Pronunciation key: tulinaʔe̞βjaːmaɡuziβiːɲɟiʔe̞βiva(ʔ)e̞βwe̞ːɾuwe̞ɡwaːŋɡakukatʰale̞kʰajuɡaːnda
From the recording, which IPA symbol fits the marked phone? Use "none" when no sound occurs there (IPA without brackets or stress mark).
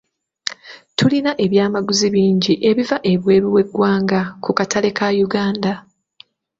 ʔ